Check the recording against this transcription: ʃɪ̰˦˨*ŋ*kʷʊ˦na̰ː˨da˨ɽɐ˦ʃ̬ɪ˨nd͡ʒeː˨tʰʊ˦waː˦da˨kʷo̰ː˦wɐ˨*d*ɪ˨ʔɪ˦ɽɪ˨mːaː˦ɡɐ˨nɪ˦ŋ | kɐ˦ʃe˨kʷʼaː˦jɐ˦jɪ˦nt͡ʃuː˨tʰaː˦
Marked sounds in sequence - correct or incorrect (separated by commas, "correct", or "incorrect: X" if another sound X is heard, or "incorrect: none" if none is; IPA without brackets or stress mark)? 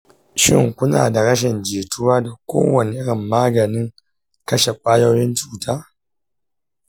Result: correct, incorrect: n